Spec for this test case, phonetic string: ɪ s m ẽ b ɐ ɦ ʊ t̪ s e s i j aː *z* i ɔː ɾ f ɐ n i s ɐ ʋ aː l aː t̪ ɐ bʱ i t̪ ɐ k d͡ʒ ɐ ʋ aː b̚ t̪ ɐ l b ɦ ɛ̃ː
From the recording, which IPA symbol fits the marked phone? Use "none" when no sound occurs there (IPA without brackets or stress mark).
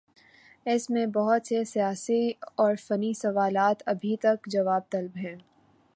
s